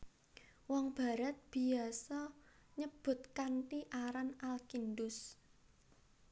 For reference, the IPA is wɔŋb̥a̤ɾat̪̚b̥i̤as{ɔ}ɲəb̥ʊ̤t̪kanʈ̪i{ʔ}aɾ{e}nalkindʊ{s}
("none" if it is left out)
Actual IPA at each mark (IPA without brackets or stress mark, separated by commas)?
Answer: ɔ, ʔ, a, s